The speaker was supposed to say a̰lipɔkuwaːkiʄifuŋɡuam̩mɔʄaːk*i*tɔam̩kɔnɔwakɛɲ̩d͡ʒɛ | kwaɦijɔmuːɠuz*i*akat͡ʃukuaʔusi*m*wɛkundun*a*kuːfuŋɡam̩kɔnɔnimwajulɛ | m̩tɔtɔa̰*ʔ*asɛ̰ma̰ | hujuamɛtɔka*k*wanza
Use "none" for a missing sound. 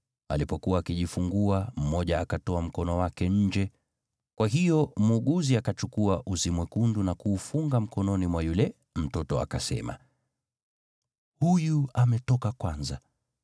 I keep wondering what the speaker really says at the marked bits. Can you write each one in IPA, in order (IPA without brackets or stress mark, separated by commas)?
a, i, m, a, k, k